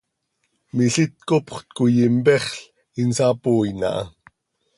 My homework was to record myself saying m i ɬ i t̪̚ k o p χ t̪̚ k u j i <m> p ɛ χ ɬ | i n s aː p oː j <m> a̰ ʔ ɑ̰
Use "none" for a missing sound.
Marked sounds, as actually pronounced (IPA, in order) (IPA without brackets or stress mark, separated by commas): m, n